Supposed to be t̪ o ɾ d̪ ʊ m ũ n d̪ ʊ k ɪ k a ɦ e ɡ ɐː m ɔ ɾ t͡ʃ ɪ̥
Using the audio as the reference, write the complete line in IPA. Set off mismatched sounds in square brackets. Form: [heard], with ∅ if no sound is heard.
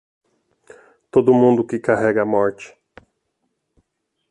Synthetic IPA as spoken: t̪ o [∅] d̪ ʊ m ũ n d̪ ʊ k ɪ k a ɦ [ɛ] ɡ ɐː m ɔ ɾ t͡ʃ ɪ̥